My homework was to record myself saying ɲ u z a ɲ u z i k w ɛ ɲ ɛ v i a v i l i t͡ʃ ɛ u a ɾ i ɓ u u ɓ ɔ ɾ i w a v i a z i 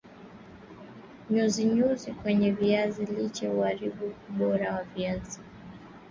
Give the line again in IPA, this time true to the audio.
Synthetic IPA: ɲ u z i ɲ u z i k w ɛ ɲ ɛ v i a z i l i t͡ʃ ɛ u a ɾ i ɓ u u ɓ ɔ ɾ a w a v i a z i